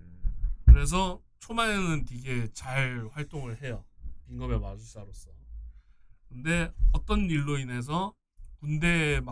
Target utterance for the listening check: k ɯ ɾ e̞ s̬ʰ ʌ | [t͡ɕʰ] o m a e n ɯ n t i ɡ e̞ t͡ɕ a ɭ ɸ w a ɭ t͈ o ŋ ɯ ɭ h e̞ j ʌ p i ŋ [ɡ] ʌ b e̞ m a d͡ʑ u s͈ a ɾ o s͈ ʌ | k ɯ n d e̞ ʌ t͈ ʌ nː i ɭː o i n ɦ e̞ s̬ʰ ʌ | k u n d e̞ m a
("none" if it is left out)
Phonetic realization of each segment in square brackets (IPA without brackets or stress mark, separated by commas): t͡ɕʰ, ɡ